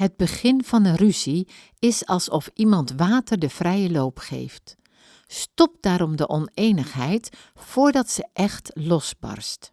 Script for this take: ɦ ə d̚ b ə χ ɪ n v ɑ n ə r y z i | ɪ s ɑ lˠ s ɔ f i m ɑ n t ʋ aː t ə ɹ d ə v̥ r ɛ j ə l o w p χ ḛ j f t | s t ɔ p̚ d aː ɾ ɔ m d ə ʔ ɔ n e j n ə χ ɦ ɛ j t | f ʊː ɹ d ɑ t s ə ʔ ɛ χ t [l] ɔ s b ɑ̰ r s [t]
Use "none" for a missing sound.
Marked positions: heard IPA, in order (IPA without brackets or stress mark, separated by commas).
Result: l, t